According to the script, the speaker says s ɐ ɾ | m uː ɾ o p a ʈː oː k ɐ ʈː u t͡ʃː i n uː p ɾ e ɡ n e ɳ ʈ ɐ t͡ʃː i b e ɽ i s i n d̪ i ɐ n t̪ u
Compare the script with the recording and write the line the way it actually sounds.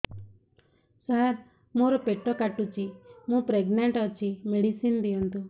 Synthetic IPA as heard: s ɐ ɾ | m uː ɾ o p e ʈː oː k ɐ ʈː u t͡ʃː i m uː p ɾ e ɡ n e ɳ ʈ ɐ t͡ʃː i m e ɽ i s i n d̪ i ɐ n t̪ u